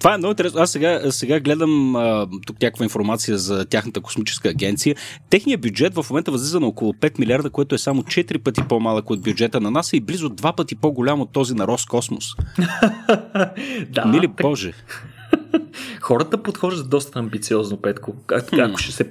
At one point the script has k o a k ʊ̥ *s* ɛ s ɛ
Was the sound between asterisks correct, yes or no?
no